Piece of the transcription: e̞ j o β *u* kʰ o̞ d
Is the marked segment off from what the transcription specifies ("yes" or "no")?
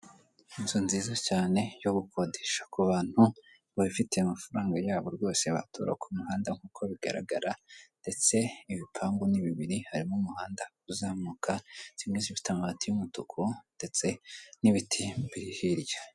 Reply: no